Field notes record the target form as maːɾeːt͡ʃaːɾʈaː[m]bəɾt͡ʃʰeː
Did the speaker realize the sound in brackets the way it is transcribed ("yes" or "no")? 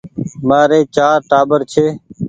no